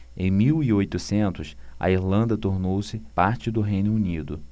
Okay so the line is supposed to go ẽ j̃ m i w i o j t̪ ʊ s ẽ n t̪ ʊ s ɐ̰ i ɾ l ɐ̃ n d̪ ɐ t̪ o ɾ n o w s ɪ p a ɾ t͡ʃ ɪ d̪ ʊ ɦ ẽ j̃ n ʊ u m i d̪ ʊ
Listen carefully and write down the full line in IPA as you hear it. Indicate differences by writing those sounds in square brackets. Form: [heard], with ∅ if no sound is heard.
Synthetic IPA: ẽ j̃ m i w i o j t̪ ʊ s ẽ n t̪ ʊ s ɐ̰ i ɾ l ɐ̃ n d̪ ɐ t̪ o ɾ n o w s ɪ p a ɾ t͡ʃ ɪ d̪ ʊ ɦ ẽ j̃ n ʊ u [n] i d̪ ʊ